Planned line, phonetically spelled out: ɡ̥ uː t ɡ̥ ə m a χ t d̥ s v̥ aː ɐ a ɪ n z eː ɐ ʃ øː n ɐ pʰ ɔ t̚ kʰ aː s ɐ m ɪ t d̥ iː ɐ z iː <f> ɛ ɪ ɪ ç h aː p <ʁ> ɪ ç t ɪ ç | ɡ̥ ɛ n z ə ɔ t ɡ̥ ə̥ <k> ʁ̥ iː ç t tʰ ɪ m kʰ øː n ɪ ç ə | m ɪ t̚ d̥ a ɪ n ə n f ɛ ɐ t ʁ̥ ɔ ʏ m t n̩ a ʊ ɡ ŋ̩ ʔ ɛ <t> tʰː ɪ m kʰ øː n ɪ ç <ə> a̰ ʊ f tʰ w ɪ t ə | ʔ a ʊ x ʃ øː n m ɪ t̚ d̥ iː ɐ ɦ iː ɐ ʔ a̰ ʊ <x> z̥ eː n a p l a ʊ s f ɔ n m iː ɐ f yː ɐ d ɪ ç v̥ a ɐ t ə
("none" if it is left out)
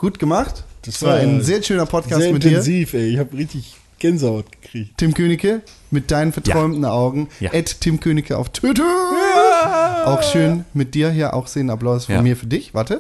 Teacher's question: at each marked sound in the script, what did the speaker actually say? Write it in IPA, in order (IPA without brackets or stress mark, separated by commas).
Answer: f, ʁ, k, t, ə, x